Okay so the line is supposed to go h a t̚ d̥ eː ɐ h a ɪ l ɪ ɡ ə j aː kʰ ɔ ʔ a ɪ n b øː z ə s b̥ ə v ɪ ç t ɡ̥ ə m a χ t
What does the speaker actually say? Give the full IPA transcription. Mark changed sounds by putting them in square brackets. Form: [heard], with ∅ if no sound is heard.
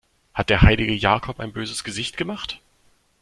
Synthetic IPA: h a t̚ d̥ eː ɐ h a ɪ l ɪ ɡ ə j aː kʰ ɔ [p] a ɪ n b øː z ə s [ɡ̥] ə [z] ɪ ç t ɡ̥ ə m a χ t